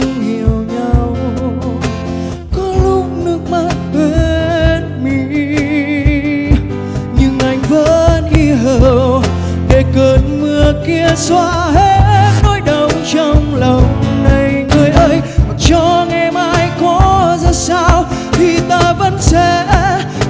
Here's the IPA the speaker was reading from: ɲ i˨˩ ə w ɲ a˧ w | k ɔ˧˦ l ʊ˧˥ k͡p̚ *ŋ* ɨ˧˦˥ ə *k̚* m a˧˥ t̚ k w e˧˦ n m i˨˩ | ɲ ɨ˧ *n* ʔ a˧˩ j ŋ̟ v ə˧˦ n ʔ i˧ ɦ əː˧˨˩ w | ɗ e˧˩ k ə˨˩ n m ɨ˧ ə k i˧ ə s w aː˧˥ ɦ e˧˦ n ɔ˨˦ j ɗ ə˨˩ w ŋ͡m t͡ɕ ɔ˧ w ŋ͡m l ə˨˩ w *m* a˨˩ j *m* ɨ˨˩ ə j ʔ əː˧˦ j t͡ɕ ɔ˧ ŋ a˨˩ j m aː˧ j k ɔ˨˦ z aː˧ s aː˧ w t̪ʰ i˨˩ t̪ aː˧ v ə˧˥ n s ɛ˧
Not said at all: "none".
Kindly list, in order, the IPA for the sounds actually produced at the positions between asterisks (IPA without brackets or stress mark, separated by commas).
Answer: n, k̚, ŋ, n, ŋ